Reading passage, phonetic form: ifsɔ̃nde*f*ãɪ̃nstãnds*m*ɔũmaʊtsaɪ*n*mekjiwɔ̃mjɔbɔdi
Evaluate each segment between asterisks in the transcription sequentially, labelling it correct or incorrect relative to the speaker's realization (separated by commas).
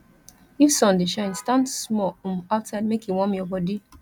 incorrect, correct, incorrect